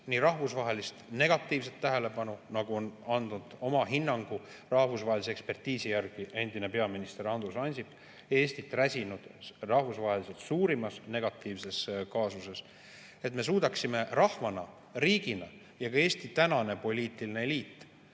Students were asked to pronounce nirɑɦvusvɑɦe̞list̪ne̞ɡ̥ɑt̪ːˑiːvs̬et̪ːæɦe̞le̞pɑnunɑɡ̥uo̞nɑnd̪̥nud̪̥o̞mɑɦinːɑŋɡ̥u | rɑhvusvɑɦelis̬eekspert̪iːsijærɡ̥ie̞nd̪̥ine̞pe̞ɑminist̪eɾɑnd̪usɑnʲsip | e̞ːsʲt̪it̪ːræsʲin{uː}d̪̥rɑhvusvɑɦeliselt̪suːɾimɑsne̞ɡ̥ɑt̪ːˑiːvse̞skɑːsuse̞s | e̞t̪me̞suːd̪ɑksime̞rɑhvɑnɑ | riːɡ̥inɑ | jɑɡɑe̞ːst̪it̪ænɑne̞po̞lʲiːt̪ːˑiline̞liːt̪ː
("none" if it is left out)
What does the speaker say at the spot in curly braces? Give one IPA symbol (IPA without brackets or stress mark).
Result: u